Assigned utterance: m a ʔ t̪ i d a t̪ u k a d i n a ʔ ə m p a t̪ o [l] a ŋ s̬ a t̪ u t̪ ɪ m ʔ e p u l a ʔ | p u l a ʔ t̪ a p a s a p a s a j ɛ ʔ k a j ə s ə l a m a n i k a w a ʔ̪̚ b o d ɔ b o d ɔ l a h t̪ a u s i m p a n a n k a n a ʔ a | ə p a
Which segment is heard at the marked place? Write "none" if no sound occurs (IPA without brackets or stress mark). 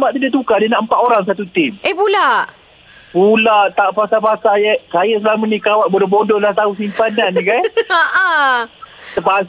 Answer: ɾ